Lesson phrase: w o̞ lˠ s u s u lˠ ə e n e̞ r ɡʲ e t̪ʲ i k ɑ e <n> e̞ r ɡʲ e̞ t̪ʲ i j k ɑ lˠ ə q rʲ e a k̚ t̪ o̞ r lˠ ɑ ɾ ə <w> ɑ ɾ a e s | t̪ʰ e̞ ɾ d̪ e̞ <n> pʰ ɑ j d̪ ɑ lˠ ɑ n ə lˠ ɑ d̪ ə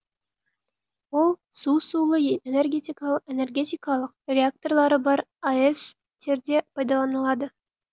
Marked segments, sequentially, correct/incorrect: correct, incorrect, incorrect

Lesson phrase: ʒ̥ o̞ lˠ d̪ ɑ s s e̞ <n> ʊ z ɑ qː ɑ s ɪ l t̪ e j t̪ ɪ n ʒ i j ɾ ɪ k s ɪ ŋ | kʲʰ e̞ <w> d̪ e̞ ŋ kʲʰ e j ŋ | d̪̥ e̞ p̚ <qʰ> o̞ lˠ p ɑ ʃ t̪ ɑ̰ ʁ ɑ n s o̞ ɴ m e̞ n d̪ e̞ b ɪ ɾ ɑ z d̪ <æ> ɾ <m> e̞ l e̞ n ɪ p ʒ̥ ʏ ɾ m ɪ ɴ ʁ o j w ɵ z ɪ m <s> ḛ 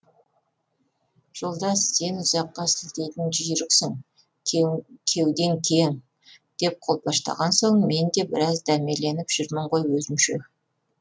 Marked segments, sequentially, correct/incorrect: correct, correct, correct, correct, correct, incorrect

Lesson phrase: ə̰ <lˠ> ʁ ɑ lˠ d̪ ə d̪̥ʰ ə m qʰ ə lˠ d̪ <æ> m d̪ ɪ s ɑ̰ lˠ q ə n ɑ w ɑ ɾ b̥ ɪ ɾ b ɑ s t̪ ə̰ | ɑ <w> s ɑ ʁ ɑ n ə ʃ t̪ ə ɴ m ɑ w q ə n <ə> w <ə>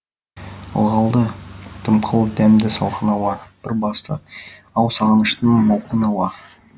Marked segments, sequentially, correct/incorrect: correct, correct, correct, incorrect, incorrect

